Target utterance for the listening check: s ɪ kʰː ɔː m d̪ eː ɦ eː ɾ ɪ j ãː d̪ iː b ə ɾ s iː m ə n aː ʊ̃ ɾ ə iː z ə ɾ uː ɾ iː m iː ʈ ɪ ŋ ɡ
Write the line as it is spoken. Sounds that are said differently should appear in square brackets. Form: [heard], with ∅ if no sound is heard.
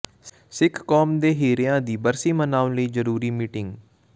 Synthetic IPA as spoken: s ɪ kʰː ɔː m d̪ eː ɦ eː ɾ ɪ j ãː d̪ iː b ə ɾ s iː m ə n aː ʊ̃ [l] ə iː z ə ɾ uː ɾ iː m iː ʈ ɪ ŋ ɡ

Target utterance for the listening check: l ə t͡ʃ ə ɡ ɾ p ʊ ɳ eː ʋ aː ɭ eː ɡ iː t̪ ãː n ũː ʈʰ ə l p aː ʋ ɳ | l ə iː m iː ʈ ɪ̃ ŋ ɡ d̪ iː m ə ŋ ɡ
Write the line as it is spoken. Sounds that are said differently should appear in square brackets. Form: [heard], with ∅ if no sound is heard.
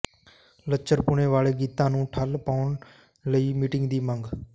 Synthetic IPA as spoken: l ə t͡ʃ ə [∅] ɾ p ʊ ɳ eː ʋ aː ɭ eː ɡ iː t̪ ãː n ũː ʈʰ ə l p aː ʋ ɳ | l ə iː m iː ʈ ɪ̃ ŋ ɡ d̪ iː m ə ŋ ɡ

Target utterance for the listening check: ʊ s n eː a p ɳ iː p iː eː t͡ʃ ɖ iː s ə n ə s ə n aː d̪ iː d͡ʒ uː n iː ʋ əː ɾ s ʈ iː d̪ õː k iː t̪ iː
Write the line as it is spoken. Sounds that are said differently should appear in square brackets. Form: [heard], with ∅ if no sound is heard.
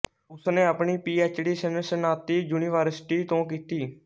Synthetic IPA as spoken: ʊ s n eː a p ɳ iː p iː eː t͡ʃ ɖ iː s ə n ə s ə n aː [t̪] iː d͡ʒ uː n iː ʋ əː ɾ s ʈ iː [t̪] õː k iː t̪ iː

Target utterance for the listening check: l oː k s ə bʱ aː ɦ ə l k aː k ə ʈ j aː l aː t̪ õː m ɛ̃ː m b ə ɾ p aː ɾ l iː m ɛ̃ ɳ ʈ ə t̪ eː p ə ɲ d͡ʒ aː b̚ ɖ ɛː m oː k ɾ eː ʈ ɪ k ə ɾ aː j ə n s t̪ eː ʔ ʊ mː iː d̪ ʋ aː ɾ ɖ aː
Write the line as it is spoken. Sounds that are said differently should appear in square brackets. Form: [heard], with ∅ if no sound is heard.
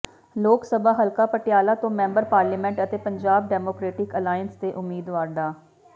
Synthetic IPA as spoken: l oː k s ə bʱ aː ɦ ə l k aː [p] ə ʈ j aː l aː t̪ õː m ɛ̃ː m b ə ɾ p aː ɾ l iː m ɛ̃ ɳ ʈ ə t̪ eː p ə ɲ d͡ʒ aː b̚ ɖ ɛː m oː k ɾ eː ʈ ɪ k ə [l] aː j ə n s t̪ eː ʔ ʊ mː iː d̪ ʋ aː ɾ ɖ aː

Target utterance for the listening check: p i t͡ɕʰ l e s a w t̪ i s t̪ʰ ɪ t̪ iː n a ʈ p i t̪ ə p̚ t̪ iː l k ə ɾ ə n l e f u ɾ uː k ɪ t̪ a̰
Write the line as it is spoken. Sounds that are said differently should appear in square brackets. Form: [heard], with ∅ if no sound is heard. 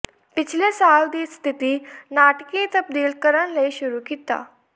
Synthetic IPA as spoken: p i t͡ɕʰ l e s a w [d̪] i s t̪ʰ [i] t̪ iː n a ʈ [k] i t̪ ə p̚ [d̪] iː l k ə ɾ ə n l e [ɕ] u ɾ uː k [i] t̪ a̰

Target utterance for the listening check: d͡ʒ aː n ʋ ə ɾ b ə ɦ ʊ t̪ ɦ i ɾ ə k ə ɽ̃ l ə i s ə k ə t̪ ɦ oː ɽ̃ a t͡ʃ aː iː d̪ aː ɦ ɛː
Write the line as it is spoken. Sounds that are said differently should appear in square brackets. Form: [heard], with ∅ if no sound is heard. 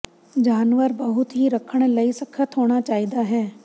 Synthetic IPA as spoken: d͡ʒ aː n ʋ ə ɾ b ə ɦ ʊ t̪ ɦ i ɾ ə [kʰ] ə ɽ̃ l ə i s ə [kʰ] ə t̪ ɦ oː ɽ̃ a t͡ʃ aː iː d̪ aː ɦ ɛː

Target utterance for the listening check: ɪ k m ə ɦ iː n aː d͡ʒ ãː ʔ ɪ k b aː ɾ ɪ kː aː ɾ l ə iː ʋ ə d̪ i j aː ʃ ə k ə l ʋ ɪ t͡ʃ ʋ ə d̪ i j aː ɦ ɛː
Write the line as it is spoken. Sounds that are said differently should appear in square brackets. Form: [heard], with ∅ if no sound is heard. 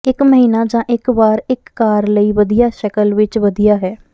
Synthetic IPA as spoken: ɪ k m ə ɦ iː n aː d͡ʒ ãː ʔ ɪ k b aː ɾ ɪ kː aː ɾ l ə iː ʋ ə d̪ i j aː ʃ ə k ə l ʋ ɪ t͡ʃ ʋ ə d̪ i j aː ɦ ɛː

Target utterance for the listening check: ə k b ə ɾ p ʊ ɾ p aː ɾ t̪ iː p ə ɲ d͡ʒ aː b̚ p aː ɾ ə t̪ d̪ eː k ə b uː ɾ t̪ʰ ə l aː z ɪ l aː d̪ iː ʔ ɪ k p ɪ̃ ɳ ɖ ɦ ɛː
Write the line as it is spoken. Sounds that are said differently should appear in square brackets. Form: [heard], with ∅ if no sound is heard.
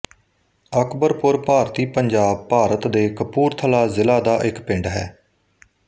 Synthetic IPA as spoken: ə k b ə ɾ p ʊ ɾ p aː ɾ t̪ iː p ə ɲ d͡ʒ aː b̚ p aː ɾ ə t̪ d̪ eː k ə [p] uː ɾ t̪ʰ ə l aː z ɪ l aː d̪ [aː] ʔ ɪ k p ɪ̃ ɳ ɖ ɦ ɛː

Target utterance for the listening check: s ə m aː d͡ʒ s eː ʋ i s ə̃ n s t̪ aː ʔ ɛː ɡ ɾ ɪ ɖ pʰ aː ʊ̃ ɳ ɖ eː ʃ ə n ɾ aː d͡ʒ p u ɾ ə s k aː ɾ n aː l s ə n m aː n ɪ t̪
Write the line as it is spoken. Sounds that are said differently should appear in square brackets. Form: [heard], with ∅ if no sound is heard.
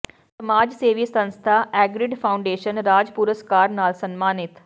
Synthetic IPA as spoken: s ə m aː d͡ʒ s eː ʋ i s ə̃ n s [t̪ʰ] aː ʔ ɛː ɡ ɾ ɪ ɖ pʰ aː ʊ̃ ɳ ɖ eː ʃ ə n ɾ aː d͡ʒ p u ɾ ə s k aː ɾ n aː l s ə n m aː n ɪ t̪

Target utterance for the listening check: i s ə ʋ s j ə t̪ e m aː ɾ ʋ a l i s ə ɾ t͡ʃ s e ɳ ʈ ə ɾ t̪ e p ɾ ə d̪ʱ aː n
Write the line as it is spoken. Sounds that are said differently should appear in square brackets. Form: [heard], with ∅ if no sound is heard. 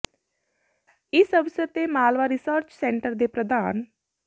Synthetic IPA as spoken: i s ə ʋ s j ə t̪ e m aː [l] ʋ a [ɾ] i s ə ɾ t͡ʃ s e ɳ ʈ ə ɾ [d̪] e p ɾ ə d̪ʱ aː n

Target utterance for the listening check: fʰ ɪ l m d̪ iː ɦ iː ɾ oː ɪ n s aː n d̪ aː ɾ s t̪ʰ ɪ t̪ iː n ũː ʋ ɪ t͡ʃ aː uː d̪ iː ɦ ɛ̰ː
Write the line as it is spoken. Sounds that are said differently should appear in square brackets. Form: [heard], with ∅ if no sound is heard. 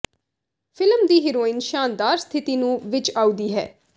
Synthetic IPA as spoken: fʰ ɪ l m d̪ iː ɦ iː ɾ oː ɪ n [ʃ] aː n d̪ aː ɾ s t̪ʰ ɪ t̪ iː n ũː ʋ ɪ t͡ʃ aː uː d̪ iː ɦ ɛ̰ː

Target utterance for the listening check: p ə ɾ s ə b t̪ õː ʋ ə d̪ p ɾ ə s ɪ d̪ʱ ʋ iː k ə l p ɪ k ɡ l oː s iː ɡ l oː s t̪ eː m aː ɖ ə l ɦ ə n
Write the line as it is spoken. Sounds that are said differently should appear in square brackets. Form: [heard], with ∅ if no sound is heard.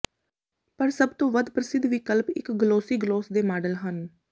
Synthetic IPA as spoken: p ə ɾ s ə b t̪ õː ʋ ə d̪ p ɾ ə s ɪ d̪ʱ ʋ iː k ə l p ɪ k ɡ l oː s iː ɡ l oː s [d̪] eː m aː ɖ ə l ɦ ə n

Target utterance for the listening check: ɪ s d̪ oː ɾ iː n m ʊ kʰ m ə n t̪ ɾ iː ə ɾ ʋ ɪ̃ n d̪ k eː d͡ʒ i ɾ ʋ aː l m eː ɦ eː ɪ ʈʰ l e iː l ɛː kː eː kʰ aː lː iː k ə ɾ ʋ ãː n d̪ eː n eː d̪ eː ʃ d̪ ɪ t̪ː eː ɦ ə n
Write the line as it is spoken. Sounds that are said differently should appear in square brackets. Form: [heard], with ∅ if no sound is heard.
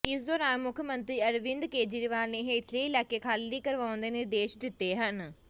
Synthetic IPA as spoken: ɪ s d̪ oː ɾ [aː] n m ʊ kʰ m ə n t̪ ɾ iː ə ɾ ʋ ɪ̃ n d̪ k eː d͡ʒ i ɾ ʋ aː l [n] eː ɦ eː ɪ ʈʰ l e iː l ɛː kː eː kʰ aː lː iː k ə ɾ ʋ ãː n d̪ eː n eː d̪ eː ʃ d̪ ɪ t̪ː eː ɦ ə n

